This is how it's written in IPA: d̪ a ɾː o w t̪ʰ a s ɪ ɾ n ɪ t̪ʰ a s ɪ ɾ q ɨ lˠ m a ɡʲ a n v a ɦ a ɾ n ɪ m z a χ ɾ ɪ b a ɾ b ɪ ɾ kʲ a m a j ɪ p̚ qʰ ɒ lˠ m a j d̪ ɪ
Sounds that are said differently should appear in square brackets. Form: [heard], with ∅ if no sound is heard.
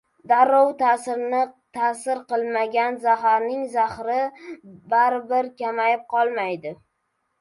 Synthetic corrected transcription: d̪ a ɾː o w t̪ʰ a s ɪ ɾ n ɪ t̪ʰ a s ɪ ɾ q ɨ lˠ m a ɡʲ a n [z] a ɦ a ɾ n ɪ [ŋ] z a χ ɾ ɪ b a ɾ b ɪ ɾ kʲ a m a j ɪ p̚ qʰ ɒ lˠ m a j d̪ ɪ